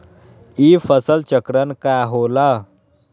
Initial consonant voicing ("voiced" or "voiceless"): voiceless